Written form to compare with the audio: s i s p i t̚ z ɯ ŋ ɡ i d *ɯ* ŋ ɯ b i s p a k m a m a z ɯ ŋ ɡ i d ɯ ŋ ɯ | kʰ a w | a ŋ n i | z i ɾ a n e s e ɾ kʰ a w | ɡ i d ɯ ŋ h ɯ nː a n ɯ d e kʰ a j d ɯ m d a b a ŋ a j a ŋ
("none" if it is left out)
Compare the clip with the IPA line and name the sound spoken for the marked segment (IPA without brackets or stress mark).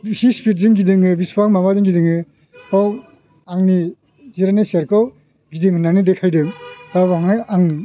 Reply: ɯ